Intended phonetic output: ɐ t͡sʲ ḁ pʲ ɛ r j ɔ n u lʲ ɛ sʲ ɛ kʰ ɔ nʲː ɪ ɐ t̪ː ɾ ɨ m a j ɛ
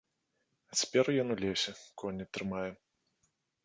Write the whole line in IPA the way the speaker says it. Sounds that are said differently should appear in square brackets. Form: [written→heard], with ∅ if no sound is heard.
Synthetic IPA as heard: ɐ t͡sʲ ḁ pʲ ɛ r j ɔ n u lʲ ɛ sʲ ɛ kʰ ɔ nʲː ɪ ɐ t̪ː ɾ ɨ m a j ɛ

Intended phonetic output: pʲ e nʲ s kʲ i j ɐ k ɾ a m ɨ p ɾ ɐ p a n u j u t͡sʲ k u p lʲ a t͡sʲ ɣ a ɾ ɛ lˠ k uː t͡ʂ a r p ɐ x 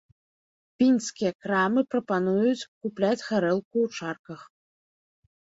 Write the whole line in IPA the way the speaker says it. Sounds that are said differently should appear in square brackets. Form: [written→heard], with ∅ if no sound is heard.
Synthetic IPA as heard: pʲ [e→i] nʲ s kʲ i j ɐ k ɾ a m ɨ p ɾ ɐ p a n u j u t͡sʲ k u p lʲ a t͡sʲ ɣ a ɾ ɛ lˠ k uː t͡ʂ a r [p→k] ɐ x

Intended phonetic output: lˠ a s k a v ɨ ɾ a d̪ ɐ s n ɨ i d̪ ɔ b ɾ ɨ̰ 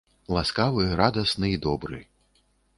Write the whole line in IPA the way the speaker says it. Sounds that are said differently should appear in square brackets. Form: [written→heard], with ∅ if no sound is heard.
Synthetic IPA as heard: lˠ a s k a v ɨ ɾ a d̪ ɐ s n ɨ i d̪ ɔ b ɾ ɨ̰

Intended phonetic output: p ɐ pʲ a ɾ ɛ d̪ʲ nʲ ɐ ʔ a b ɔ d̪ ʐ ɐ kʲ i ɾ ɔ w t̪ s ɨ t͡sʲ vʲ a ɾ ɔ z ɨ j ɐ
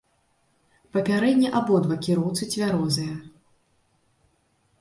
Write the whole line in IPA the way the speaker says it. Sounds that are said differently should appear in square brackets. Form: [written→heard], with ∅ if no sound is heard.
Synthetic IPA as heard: p ɐ pʲ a ɾ ɛ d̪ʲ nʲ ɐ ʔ a b ɔ d̪ [ʐ→v] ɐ kʲ i ɾ ɔ w t̪ s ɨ t͡sʲ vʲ a ɾ ɔ z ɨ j ɐ

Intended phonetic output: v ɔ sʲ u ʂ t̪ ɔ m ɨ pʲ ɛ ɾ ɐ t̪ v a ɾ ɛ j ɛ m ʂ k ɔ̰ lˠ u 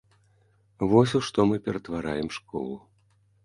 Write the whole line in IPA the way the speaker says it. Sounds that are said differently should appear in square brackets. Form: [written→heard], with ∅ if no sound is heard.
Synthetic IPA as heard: v ɔ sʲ u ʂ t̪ ɔ m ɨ pʲ ɛ ɾ ɐ t̪ v a ɾ [ɛ→a] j ɛ m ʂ k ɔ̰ lˠ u

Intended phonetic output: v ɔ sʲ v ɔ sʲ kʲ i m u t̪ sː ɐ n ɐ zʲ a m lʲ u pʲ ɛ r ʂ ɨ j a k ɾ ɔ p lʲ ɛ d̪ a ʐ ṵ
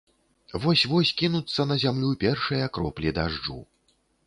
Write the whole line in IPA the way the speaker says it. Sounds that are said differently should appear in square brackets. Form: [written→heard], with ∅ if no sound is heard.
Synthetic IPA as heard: v ɔ sʲ v ɔ sʲ kʲ i [m→n] u t̪ sː ɐ n ɐ zʲ a m lʲ u pʲ ɛ r ʂ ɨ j [a→ɐ] k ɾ ɔ p lʲ [ɛ→i] d̪ a ʐ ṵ

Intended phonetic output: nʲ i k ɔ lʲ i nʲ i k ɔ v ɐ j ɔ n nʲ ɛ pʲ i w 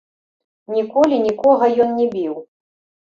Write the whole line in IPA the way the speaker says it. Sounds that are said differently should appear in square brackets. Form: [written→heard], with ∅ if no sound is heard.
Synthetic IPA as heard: nʲ i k ɔ lʲ i nʲ i k ɔ [v→ɣ] ɐ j ɔ n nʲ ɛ [pʲ→bʲ] i w

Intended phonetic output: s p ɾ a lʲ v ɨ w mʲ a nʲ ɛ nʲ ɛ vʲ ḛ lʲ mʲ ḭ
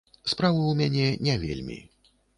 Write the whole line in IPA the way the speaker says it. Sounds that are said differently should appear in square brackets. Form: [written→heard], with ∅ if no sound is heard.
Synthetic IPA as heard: s p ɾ a [lʲ→∅] v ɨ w mʲ a nʲ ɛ nʲ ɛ vʲ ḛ lʲ mʲ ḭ

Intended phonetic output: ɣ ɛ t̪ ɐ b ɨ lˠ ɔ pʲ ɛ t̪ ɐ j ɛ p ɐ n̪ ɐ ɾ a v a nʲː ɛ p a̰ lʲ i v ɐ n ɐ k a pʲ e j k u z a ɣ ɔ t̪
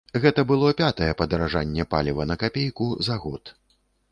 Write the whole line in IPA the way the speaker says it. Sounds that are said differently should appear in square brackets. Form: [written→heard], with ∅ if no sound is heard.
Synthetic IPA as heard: ɣ ɛ t̪ ɐ b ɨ lˠ ɔ pʲ [ɛ→a] t̪ ɐ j ɛ p ɐ [n̪→d̪] ɐ ɾ a [v→ʐ] a nʲː ɛ p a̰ lʲ i v ɐ n ɐ k a pʲ e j k u z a ɣ ɔ t̪

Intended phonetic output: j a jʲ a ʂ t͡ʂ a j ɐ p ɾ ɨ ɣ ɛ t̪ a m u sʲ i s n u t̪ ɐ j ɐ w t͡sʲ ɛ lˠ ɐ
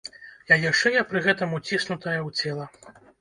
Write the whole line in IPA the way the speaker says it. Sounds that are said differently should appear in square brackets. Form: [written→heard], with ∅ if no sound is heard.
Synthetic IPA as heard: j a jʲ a ʂ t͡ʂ [a→ɛ] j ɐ p ɾ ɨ ɣ ɛ t̪ [a→ɐ] m u [sʲ→t͡sʲ] i s n u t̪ ɐ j ɐ w t͡sʲ ɛ lˠ ɐ

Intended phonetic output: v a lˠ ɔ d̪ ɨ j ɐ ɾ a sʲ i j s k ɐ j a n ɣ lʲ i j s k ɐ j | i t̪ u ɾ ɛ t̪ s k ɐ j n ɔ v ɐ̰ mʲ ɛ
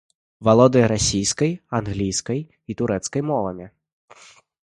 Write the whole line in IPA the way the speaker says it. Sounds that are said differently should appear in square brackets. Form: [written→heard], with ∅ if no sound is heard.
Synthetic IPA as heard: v a lˠ ɔ d̪ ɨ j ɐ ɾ a sʲ i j s k ɐ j a n ɣ lʲ i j s k ɐ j | i t̪ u ɾ ɛ t̪ s k ɐ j [n→m] ɔ v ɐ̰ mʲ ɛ

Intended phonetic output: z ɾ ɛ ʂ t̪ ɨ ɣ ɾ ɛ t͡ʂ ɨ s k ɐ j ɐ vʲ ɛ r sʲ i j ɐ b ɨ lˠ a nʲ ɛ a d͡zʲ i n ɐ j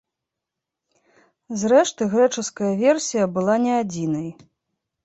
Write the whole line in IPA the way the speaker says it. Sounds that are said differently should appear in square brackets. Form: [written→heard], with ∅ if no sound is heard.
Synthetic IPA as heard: z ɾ ɛ ʂ t̪ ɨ ɣ ɾ ɛ t͡ʂ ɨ s k ɐ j ɐ vʲ ɛ r sʲ i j ɐ b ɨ lˠ a nʲ ɛ a d͡zʲ i n ɐ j

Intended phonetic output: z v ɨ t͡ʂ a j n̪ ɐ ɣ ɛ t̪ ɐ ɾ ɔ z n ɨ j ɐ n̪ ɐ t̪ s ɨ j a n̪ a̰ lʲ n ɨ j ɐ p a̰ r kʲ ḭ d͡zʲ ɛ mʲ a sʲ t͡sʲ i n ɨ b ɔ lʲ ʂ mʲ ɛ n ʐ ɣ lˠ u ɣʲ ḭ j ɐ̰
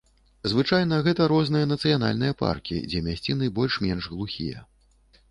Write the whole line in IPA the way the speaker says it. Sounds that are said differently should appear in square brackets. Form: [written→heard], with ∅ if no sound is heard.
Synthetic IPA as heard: z v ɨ t͡ʂ a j n̪ ɐ ɣ ɛ t̪ ɐ ɾ ɔ z n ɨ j ɐ n̪ ɐ t̪ s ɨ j a n̪ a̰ lʲ n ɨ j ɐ p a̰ r kʲ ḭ d͡zʲ ɛ mʲ a sʲ t͡sʲ i n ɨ b ɔ lʲ ʂ mʲ ɛ n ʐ ɣ lˠ u [ɣʲ→xʲ] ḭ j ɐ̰

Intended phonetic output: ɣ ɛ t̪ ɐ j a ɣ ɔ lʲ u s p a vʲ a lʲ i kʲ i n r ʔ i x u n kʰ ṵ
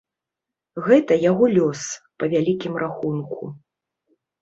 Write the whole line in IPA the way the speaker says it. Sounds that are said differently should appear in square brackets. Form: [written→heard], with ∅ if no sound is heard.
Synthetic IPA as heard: ɣ ɛ t̪ ɐ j a ɣ ɔ lʲ [u→ɔ] s p [a→ɐ] vʲ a lʲ i kʲ i [n→m] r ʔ [i→a] x u n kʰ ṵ

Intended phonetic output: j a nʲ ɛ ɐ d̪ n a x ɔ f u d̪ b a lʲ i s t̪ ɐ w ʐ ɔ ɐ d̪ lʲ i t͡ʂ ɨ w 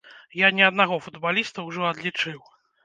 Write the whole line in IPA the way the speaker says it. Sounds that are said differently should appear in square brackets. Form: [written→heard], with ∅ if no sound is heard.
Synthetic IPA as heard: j a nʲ ɛ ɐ d̪ n a [x→ɣ] ɔ f u d̪ b a lʲ i s t̪ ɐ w ʐ ɔ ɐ d̪ lʲ i t͡ʂ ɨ w

